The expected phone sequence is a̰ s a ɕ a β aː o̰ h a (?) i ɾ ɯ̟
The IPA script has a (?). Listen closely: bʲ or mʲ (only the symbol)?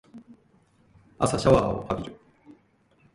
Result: bʲ